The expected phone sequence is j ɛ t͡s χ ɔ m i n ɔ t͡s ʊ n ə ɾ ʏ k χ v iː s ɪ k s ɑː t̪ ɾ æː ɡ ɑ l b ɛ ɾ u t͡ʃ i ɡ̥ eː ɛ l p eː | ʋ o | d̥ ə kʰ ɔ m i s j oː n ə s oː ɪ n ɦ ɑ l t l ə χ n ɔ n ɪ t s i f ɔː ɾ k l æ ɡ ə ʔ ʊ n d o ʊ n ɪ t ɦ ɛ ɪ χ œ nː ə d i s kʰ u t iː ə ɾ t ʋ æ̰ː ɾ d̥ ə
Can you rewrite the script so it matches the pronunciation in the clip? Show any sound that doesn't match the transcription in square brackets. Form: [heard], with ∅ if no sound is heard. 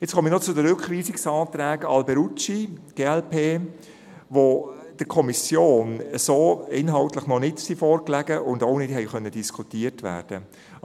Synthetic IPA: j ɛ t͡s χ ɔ m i n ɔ t͡s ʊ [d] ə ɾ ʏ k χ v iː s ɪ k s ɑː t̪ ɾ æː ɡ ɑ l b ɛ ɾ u t͡ʃ i ɡ̥ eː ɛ l p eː | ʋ o | d̥ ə kʰ ɔ m i s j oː n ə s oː ɪ n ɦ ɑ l t l ə χ n ɔ n ɪ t s i f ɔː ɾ k l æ ɡ ə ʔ ʊ n d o ʊ n ɪ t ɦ ɛ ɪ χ œ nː ə d i s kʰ u t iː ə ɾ t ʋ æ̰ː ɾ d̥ ə

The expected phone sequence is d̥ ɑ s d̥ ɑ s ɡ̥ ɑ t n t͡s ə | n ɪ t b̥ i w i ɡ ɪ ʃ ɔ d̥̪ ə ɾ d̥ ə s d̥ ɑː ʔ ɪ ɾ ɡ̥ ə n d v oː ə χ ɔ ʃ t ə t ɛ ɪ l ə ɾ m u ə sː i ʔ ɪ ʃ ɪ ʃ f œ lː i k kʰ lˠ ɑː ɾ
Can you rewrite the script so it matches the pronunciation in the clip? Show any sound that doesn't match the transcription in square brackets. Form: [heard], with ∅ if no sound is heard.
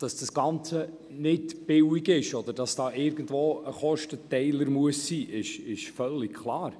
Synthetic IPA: d̥ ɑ s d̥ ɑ s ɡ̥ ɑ [∅] n t͡s ə | n ɪ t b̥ [ɪ] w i ɡ ɪ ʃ ɔ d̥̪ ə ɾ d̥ [ɑ] s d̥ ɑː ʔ ɪ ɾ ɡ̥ ə n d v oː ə χ ɔ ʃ t ə t ɛ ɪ l ə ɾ m u ə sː [iː] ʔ ɪ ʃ ɪ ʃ f œ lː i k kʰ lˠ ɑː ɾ

